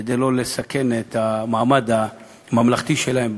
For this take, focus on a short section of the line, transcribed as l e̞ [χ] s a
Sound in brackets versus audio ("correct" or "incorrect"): incorrect